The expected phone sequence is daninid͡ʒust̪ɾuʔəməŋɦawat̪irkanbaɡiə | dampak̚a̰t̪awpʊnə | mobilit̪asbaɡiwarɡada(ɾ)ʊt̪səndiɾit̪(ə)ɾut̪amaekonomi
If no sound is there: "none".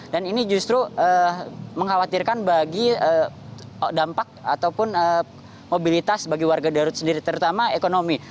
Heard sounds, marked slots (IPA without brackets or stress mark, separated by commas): ɾ, ə